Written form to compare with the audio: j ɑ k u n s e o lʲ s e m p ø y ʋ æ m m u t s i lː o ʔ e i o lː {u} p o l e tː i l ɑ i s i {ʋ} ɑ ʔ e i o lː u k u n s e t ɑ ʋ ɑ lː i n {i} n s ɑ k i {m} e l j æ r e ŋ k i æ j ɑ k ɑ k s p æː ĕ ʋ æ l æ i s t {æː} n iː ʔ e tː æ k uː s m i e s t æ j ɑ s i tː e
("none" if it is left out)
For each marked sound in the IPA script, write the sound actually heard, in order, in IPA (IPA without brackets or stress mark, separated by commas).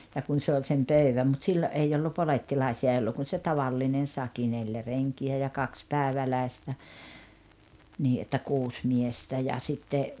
u, none, e, n, æ